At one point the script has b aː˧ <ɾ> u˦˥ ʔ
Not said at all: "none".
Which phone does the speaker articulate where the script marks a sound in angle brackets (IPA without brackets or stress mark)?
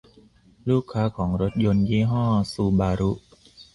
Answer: ɾ